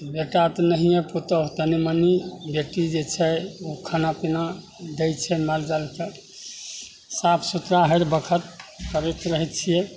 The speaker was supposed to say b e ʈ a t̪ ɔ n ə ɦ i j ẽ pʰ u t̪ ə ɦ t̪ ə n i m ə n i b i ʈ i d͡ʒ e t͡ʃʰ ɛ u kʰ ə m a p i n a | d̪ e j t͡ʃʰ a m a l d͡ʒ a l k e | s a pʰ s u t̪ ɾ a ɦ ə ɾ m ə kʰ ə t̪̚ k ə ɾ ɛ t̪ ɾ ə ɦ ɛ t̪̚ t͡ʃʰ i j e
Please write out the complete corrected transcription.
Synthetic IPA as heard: b e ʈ a t̪ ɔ n ə ɦ i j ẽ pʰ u t̪ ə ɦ t̪ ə n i m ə n i b e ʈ i d͡ʒ e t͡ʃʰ ɛ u kʰ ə n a p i n a | d̪ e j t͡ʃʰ ɛ m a l d͡ʒ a l k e | s a pʰ s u t̪ ɾ a ɦ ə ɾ b ə kʰ ə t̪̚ k ə ɾ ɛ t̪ ɾ ə ɦ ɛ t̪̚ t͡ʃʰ i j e

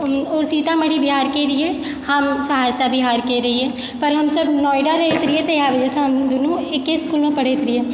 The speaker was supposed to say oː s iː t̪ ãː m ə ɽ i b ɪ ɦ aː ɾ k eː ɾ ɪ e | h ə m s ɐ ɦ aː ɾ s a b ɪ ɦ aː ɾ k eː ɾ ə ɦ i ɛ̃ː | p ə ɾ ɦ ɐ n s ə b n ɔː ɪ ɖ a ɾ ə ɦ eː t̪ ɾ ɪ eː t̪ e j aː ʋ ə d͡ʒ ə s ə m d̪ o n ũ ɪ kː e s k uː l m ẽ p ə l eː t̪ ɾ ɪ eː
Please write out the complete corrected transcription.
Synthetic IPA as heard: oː s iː t̪ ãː m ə ɽ i b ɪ ɦ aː ɾ k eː ɾ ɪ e | h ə m s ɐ ɦ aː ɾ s a b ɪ ɦ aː ɾ k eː ɾ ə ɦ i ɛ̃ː | p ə ɾ ɦ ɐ m s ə b n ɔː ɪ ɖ a ɾ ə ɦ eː t̪ ɾ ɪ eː t̪ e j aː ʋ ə d͡ʒ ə s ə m d̪ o n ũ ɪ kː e s k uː l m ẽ p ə ɽ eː t̪ ɾ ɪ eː

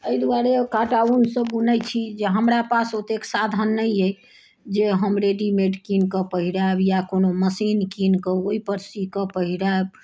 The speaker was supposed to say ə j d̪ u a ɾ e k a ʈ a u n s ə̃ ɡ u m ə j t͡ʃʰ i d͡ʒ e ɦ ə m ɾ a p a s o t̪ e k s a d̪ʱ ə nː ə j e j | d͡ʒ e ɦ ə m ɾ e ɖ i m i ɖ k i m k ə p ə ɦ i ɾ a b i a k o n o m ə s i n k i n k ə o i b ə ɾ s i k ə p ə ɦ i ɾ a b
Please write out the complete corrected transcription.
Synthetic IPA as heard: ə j d̪ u a ɾ e k a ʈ a u n s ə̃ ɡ u n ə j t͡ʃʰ i d͡ʒ e ɦ ə m ɾ a p a s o t̪ e k s a d̪ʱ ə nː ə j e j | d͡ʒ e ɦ ə m ɾ e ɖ i m e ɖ k i n k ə p ə ɦ i ɾ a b j a k o n o m ə s i n k i n k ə o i p ə ɾ s i k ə p ə ɦ i ɾ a b

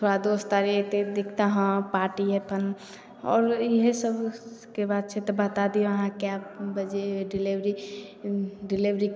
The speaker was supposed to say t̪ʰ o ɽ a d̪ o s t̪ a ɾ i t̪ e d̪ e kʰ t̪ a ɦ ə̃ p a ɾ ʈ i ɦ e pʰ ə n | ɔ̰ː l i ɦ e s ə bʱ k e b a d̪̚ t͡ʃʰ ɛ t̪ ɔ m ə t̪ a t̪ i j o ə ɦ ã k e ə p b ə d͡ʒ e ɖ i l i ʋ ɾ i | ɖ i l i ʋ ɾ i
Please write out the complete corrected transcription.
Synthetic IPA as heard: t̪ʰ o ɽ a d̪ o s t̪ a ɾ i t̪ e d̪ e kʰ t̪ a ɦ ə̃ p a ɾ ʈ i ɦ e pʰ ə n | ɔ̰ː ɾ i ɦ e s ə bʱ k e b a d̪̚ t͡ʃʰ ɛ t̪ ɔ b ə t̪ a d̪ i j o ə ɦ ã k e a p b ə d͡ʒ e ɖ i l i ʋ ɾ i | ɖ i l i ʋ ɾ i

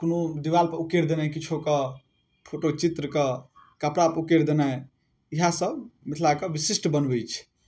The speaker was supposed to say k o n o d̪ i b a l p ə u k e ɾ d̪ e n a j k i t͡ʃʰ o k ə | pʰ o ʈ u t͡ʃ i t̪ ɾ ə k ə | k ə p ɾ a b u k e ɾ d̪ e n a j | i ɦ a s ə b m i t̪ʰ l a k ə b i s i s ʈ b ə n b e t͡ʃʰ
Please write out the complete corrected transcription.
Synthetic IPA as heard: k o n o d̪ i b a l p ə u k e ɾ d̪ e n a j k i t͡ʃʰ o k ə | pʰ o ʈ o t͡ʃ i t̪ ɾ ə k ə | k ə p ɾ a p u k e ɾ d̪ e n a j | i ɦ a s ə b m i t̪ʰ l a k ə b i s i s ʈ b ə n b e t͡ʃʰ

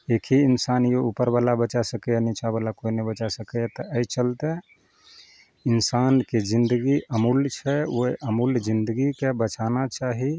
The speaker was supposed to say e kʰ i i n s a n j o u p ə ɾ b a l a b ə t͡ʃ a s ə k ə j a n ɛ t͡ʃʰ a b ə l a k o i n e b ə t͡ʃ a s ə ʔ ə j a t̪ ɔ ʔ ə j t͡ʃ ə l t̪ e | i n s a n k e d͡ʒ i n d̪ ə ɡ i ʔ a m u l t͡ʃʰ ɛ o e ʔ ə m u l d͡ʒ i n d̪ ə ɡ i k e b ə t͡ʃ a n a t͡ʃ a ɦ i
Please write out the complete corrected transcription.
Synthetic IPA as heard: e kʰ i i n s a n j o u p ə ɾ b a l a b ə t͡ʃ a s ə k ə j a n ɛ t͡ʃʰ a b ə l a k o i n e b ə t͡ʃ a s ə k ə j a t̪ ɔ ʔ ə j t͡ʃ ə l t̪ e | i n s a n k e d͡ʒ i n d̪ ə ɡ i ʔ ə m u l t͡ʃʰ ɛ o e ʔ ə m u l d͡ʒ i n d̪ ə ɡ i k e b ə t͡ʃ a n a t͡ʃ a ɦ i

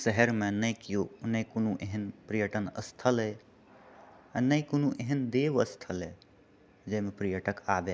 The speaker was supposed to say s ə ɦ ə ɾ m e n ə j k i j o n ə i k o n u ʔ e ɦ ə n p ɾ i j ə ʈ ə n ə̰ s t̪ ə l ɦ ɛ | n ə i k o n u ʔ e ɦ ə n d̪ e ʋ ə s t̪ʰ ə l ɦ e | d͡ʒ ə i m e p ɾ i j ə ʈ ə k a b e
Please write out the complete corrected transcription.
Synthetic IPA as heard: s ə ɦ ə ɾ m e n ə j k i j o n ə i k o n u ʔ e ɦ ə n p ɾ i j ə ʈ ə n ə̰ s t̪ʰ ə l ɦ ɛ | n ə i k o n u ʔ e ɦ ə n d̪ e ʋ ə s t̪ʰ ə l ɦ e | d͡ʒ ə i m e p ɾ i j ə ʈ ə k a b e

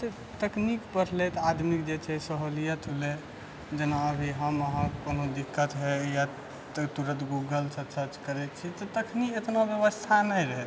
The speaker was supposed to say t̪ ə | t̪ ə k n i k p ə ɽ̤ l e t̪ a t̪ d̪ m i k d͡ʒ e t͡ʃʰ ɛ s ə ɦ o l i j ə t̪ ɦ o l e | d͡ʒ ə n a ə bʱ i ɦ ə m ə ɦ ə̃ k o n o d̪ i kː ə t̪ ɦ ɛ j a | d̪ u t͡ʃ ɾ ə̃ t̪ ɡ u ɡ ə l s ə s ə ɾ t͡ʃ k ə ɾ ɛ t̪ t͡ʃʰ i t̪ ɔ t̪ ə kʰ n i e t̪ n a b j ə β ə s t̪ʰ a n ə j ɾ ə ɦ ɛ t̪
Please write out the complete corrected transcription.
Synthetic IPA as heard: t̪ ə | t̪ ə k n i k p ə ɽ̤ l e t̪ a d̪ m i k d͡ʒ e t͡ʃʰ ɛ s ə ɦ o l i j ə t̪ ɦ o l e | d͡ʒ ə n a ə bʱ i ɦ ə m ə ɦ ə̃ k o n o d̪ i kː ə t̪ ɦ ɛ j a | t̪ u ɾ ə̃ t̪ ɡ u ɡ ə l s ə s ə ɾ t͡ʃ k ə ɾ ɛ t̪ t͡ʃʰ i t̪ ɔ t̪ ə kʰ n i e t̪ n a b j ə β ə s t̪ʰ a n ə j ɾ ə ɦ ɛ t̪

